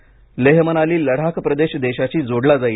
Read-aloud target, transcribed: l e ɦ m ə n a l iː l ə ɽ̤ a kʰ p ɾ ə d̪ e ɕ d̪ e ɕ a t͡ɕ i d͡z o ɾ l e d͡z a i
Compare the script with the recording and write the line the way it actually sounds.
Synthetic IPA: l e ɦ m ə n a l iː l ə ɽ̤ a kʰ p ɾ ə d̪ e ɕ d̪ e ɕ a t͡ɕ iː d͡z o ɽ l a d͡z a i